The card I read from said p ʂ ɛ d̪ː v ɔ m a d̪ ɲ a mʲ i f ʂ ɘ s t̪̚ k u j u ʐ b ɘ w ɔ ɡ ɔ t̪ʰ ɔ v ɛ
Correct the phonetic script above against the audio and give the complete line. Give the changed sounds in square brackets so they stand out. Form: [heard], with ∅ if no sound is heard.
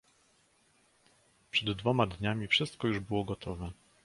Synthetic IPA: p ʂ ɛ d̪ː v ɔ m a d̪ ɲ a mʲ i f ʂ ɘ s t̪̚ k [ɔ] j u ʐ b ɘ w ɔ ɡ ɔ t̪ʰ ɔ v ɛ